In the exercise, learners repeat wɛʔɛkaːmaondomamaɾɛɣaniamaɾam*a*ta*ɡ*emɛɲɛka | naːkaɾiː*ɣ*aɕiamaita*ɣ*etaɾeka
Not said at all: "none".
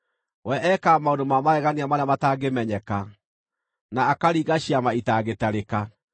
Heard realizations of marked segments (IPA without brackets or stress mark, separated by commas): a, ɡ, ɣ, ɣ